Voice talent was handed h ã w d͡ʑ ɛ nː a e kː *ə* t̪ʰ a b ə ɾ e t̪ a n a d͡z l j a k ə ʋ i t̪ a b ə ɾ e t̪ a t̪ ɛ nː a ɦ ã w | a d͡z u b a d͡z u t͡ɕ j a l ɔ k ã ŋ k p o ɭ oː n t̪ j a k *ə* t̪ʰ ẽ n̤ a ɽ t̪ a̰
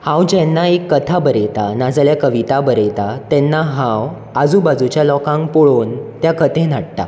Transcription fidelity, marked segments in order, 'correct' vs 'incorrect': correct, correct

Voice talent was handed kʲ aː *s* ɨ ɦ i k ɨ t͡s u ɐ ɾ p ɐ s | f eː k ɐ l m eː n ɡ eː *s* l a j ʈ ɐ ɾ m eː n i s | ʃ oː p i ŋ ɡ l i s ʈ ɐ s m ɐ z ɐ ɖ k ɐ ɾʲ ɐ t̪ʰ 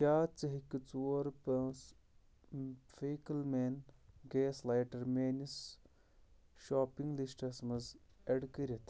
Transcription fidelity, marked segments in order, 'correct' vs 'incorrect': incorrect: t͡s, correct

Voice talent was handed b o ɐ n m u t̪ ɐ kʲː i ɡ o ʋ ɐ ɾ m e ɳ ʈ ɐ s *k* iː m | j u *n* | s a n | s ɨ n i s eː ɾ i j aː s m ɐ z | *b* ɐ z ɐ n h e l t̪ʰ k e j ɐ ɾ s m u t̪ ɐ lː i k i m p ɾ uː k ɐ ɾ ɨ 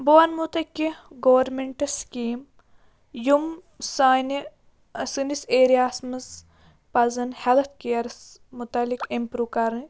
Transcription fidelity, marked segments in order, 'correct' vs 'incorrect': correct, incorrect: m, incorrect: p

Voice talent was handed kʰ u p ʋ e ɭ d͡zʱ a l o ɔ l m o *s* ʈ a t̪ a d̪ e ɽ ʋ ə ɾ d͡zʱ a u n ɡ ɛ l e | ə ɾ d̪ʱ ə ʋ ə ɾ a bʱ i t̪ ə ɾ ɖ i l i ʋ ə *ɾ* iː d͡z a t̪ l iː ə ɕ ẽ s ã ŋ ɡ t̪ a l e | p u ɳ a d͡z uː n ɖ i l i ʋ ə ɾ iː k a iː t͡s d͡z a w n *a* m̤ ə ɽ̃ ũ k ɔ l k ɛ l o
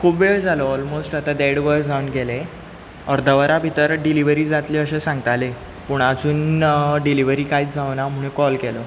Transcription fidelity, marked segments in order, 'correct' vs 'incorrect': correct, correct, correct

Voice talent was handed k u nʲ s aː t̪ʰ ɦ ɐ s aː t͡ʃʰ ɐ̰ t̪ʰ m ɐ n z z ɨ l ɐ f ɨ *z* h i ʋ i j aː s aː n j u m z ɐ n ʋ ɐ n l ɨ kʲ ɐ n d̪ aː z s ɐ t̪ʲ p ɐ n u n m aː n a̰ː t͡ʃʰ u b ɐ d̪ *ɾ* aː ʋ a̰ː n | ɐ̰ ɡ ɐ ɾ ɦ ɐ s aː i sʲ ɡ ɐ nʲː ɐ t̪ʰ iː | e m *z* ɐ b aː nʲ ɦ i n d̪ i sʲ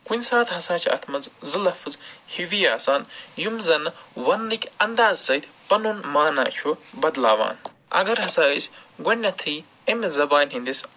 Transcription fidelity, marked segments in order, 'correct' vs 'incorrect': correct, incorrect: l, correct

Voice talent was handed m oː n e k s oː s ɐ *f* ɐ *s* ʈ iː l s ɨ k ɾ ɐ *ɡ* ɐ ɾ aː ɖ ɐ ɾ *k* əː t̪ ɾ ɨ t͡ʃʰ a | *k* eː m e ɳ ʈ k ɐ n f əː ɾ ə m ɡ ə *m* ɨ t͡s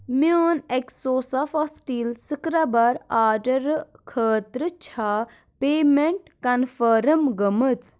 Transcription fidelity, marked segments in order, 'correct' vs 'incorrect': correct, correct, incorrect: b, incorrect: kʰ, incorrect: p, correct

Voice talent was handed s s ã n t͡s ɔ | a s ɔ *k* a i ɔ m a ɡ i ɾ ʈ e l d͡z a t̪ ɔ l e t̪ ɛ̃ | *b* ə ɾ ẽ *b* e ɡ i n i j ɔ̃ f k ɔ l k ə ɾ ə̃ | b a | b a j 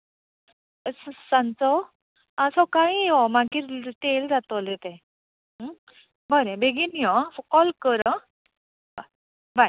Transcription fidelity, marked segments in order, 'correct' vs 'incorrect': correct, correct, correct

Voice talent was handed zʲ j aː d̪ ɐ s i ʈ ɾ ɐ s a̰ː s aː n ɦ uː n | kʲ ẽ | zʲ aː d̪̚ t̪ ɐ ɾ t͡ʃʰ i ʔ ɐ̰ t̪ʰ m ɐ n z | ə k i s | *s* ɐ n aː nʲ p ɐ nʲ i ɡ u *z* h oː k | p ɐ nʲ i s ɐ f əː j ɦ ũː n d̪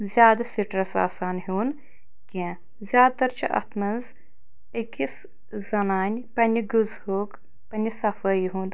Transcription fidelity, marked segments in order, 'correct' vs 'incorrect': incorrect: z, correct

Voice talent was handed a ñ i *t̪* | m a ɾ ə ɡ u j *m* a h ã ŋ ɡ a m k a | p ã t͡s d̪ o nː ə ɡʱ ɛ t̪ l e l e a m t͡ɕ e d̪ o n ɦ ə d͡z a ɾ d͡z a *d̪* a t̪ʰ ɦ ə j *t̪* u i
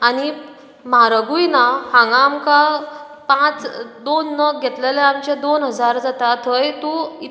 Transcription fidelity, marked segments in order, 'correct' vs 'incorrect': incorrect: none, incorrect: n, incorrect: t̪, correct

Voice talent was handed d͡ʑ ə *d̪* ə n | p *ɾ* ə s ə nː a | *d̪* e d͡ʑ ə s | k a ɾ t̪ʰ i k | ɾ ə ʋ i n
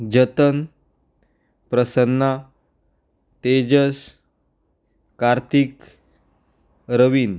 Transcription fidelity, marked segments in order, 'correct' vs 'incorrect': incorrect: t̪, correct, incorrect: t̪

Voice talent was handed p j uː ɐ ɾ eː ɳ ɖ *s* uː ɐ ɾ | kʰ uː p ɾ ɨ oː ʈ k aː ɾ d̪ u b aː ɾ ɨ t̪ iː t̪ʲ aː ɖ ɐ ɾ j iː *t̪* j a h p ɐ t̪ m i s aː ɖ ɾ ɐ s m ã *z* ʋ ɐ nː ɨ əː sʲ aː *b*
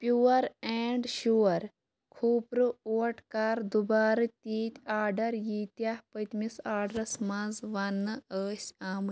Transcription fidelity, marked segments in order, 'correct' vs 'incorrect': incorrect: ʃ, correct, correct, incorrect: m

